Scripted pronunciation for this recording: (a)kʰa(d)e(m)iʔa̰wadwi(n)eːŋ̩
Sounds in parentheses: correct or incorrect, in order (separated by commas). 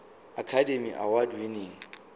correct, correct, correct, correct